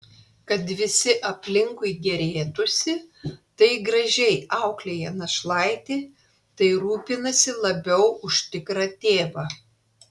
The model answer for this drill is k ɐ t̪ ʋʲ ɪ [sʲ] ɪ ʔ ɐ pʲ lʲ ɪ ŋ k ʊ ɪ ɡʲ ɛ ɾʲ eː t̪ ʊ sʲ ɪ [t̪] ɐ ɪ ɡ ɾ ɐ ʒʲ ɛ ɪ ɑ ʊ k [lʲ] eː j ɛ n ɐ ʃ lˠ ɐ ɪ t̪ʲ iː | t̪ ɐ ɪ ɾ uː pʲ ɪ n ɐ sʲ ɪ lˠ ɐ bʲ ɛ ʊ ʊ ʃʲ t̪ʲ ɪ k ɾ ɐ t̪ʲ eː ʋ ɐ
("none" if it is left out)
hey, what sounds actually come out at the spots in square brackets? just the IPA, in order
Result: sʲ, t̪, lʲ

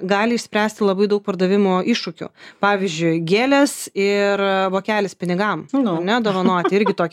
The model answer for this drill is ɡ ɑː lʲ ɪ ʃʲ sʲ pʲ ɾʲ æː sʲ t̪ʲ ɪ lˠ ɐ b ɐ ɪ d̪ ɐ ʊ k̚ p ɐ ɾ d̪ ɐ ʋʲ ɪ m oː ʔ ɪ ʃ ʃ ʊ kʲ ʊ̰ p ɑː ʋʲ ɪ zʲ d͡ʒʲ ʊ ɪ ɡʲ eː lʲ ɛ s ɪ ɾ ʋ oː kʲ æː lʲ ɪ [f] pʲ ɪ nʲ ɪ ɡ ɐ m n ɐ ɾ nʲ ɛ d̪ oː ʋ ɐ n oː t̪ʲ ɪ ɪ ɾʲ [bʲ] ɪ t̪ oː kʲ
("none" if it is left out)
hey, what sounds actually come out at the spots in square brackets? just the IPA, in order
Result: s, ɡʲ

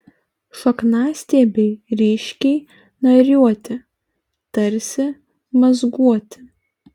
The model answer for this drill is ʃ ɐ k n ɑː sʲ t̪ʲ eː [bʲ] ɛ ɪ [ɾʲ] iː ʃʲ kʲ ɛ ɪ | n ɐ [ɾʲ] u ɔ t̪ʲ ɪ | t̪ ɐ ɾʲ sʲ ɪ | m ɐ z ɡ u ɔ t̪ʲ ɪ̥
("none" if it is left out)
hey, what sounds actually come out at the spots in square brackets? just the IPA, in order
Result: bʲ, ɾʲ, ɾʲ

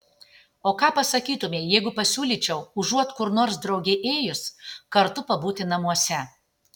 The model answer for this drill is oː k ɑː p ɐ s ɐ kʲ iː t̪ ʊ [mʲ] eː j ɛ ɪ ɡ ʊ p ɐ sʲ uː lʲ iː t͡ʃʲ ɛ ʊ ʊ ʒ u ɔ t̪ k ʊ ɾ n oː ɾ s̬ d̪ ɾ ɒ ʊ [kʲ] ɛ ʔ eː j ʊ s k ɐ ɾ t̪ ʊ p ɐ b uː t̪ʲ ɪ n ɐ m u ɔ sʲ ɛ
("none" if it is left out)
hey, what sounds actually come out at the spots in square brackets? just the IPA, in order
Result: mʲ, ɡʲ

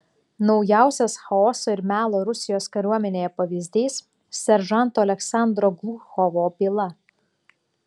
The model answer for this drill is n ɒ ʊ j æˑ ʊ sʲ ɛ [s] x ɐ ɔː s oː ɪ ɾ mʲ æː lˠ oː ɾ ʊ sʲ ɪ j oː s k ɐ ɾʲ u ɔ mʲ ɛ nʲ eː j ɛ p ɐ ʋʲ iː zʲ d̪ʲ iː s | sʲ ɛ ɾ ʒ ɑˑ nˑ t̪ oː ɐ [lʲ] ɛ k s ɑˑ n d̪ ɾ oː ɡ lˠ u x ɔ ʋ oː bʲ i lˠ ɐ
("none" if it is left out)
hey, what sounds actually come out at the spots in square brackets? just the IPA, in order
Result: s, lʲ

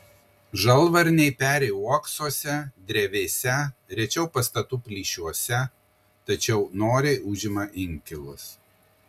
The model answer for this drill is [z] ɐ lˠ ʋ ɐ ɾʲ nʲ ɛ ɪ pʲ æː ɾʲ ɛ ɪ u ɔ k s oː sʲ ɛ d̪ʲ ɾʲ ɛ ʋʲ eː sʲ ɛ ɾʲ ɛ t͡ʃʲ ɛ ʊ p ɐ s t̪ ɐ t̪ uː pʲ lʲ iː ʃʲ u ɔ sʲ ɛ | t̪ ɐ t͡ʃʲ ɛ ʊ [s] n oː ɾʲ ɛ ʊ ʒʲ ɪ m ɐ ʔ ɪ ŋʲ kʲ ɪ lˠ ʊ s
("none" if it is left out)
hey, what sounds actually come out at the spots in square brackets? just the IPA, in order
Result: ʒ, none

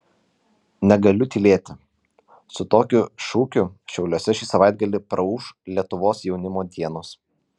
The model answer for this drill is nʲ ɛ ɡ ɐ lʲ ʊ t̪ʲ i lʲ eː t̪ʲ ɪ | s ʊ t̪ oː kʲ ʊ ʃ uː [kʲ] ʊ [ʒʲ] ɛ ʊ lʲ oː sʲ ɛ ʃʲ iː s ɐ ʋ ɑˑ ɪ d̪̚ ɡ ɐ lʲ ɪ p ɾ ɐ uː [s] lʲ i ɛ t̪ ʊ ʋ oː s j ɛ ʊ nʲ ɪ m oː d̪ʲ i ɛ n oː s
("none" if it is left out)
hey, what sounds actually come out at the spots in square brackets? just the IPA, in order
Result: kʲ, ʃʲ, ʃ

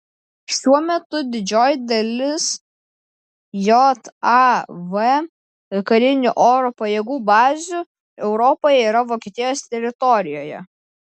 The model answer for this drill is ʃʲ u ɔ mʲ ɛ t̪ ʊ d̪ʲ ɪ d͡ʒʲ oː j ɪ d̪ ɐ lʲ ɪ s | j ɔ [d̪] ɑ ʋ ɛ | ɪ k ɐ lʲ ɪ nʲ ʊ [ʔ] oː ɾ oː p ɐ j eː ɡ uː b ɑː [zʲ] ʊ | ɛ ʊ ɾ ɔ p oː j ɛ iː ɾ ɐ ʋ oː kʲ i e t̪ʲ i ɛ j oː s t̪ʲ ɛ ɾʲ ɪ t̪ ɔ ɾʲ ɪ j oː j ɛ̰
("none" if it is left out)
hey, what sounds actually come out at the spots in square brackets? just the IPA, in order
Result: t̪, ʔ, zʲ

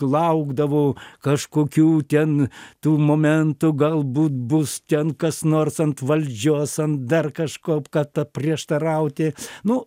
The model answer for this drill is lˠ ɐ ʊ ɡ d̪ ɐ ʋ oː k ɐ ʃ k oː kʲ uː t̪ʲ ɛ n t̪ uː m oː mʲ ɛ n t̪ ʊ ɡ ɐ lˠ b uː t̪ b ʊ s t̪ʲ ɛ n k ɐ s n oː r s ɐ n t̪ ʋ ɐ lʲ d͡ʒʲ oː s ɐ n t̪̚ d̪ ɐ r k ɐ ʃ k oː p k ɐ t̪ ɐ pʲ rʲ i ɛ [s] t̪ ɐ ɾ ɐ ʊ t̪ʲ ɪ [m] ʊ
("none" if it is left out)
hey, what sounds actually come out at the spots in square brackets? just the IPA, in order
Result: ʃ, n

